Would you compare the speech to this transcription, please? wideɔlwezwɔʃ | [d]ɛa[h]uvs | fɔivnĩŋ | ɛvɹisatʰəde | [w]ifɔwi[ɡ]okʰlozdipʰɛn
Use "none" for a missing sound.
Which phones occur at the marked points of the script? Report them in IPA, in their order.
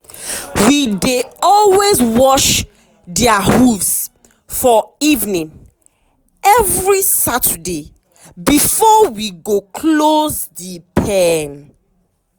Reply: d, h, b, ɡ

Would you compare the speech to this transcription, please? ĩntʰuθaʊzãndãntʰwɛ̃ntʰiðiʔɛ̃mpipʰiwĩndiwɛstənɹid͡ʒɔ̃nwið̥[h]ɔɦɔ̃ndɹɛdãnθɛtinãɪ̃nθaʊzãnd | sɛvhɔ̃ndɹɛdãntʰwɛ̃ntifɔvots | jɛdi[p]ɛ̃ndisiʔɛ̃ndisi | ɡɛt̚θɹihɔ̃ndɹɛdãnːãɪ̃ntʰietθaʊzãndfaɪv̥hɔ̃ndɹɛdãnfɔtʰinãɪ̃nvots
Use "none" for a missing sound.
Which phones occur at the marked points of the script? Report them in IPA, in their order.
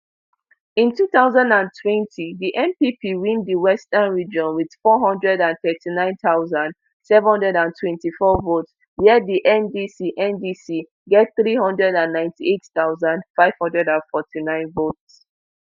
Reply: f, ʔ

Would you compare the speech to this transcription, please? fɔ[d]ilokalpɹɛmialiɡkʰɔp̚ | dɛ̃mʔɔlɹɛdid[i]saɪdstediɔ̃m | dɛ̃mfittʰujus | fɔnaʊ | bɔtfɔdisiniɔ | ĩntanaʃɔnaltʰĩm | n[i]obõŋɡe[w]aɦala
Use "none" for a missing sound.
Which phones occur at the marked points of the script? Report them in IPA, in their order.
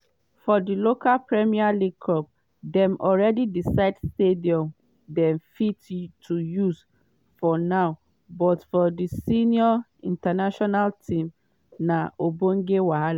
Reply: d, i, a, w

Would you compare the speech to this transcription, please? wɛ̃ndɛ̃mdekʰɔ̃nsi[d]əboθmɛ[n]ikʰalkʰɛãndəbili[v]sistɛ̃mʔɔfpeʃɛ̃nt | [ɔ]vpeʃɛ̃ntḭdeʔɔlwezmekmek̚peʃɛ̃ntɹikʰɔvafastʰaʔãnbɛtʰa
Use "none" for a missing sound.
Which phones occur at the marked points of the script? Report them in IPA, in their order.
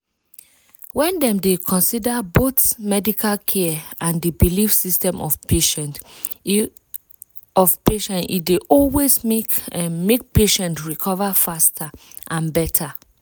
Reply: d, d, f, ɔ

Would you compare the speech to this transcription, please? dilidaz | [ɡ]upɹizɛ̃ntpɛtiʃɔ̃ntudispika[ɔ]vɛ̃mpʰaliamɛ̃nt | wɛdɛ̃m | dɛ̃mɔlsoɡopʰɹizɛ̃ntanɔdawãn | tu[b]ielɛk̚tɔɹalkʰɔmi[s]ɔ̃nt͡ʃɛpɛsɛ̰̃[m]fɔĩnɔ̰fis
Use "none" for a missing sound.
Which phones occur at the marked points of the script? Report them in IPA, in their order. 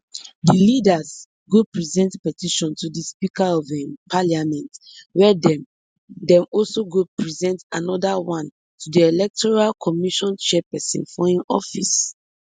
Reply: ɡ, ɔ, d, ʃ, n

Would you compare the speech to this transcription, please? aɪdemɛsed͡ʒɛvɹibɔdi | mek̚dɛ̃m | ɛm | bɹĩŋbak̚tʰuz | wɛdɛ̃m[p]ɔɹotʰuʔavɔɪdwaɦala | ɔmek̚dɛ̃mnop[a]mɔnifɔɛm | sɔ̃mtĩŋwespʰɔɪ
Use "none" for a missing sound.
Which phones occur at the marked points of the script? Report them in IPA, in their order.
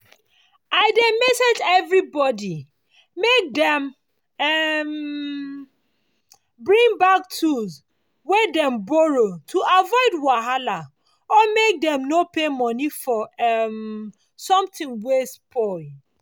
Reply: b, e

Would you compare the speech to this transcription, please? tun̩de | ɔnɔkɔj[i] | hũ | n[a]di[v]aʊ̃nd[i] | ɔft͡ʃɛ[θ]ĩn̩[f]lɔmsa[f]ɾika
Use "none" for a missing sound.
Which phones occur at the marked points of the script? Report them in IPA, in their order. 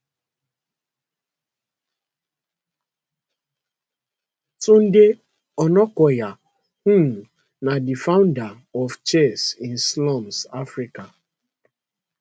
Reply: a, a, f, a, s, s, f

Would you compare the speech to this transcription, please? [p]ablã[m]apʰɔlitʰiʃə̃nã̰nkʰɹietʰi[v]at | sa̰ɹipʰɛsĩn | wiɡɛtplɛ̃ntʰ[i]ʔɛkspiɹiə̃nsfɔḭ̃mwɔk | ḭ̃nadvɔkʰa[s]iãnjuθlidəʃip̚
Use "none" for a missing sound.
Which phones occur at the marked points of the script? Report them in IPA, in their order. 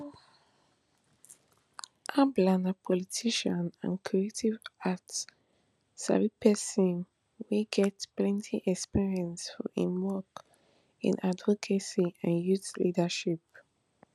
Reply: ʔ, n, v, i, s

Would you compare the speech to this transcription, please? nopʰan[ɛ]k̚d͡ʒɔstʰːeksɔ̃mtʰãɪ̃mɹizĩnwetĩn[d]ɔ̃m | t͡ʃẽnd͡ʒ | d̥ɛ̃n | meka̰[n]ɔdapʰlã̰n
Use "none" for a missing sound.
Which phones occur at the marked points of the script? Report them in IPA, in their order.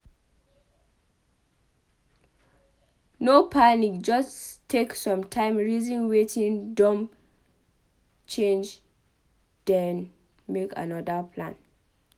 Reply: i, d, n

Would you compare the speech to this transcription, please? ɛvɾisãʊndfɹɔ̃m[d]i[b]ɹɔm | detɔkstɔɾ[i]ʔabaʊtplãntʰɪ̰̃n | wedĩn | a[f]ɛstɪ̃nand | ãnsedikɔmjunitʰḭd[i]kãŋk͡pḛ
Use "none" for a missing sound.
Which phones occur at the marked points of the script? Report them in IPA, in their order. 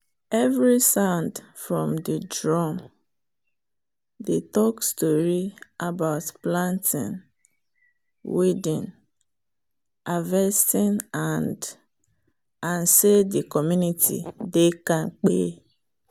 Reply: d, d, i, v, e

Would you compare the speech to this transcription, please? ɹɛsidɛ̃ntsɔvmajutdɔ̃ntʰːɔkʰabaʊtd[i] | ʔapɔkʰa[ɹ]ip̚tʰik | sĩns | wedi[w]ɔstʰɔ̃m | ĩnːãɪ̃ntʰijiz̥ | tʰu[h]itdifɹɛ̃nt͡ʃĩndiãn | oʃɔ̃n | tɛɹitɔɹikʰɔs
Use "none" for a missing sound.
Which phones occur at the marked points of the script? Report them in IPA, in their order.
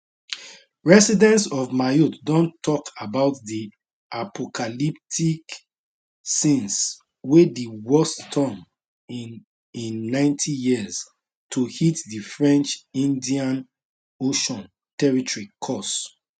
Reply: i, l, w, h

